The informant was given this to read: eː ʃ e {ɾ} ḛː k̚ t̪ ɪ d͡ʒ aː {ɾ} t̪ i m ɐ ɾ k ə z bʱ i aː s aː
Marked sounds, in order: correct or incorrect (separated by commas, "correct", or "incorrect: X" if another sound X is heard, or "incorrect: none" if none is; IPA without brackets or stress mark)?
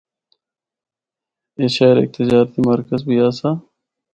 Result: correct, correct